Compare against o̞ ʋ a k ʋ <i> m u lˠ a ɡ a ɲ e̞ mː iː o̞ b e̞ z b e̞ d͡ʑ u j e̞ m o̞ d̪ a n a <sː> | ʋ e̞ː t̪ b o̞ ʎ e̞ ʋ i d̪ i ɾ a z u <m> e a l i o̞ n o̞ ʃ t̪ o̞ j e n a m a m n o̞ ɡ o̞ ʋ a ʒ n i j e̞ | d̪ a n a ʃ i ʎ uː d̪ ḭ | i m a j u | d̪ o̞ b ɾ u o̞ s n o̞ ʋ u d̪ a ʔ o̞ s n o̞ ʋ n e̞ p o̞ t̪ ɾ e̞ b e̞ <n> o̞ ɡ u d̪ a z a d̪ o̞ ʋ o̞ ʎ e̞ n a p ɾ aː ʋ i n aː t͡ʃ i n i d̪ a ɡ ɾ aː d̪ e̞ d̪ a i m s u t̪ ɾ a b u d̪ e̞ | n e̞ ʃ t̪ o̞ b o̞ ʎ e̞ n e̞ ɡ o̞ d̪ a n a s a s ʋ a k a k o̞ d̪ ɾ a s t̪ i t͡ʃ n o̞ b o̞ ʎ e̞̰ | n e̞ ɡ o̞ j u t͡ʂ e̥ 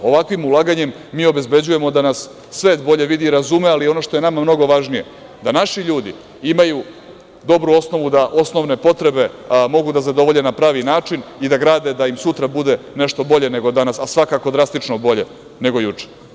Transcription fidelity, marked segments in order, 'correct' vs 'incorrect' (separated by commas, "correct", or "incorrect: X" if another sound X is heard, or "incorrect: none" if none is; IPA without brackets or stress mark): correct, correct, correct, incorrect: m